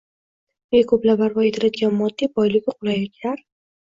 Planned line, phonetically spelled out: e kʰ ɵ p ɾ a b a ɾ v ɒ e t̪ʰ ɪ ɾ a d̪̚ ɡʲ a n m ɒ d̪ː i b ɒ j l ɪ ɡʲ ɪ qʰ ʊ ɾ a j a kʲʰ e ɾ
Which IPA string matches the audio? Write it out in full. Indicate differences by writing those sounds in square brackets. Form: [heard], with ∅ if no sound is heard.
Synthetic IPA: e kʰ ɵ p [l] a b a ɾ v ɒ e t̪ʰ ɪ ɾ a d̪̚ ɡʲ a n m ɒ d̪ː i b ɒ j l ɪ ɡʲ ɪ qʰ ʊ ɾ a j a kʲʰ [a] ɾ